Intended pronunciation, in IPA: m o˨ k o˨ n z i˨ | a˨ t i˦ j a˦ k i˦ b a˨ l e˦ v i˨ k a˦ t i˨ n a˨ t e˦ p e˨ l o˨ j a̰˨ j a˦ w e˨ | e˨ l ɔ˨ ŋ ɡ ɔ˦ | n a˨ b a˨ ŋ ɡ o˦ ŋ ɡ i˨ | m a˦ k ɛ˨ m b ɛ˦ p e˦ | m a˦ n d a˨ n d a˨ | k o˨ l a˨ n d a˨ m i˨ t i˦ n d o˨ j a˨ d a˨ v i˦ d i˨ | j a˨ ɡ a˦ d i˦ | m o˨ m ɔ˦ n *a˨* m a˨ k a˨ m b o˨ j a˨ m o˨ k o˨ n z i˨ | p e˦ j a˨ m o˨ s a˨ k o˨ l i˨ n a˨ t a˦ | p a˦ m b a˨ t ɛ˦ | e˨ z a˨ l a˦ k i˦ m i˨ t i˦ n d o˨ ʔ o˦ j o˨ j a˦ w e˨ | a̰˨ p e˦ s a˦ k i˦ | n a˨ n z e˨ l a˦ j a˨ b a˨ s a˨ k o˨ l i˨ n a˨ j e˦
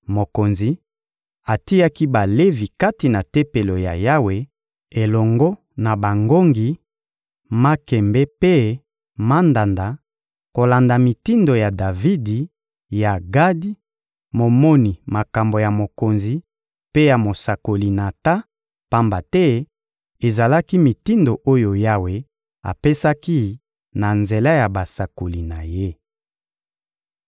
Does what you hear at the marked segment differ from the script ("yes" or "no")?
yes